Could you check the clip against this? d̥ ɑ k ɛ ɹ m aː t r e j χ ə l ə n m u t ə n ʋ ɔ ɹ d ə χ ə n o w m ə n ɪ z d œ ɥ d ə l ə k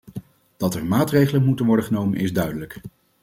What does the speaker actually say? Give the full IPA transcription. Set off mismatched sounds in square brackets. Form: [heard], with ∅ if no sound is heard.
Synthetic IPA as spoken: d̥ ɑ [t] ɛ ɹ m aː t r e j χ ə l ə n m u t ə n ʋ ɔ ɹ d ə χ ə n o w m ə n ɪ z d œ ɥ d ə l ə k